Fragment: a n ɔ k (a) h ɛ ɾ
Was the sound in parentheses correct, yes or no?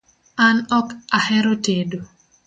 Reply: yes